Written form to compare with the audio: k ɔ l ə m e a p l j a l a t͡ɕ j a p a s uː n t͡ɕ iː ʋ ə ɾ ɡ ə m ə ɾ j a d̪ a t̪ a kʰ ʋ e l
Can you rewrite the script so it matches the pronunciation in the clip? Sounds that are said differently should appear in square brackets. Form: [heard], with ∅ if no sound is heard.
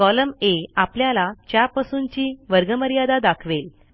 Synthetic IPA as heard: k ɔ l ə m e a p l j a l a t͡ɕ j a p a s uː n t͡ɕ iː ʋ ə ɾ ɡ ə m ə ɾ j a d̪ a [d̪] a kʰ ʋ e l